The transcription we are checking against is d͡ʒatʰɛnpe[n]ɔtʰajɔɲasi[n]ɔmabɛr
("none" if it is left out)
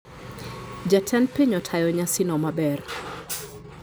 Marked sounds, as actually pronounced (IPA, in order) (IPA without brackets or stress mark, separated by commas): ɲ, n